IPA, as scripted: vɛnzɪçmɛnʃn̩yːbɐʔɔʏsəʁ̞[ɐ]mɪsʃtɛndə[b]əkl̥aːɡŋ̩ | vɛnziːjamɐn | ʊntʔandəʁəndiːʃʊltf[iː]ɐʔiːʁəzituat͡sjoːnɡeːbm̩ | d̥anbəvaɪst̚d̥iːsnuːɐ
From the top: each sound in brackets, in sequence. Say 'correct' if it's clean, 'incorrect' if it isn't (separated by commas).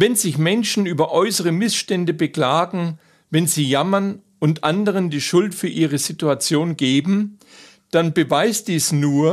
incorrect, correct, incorrect